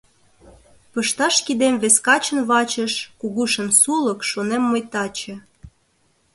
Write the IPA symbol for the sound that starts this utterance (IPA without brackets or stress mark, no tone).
p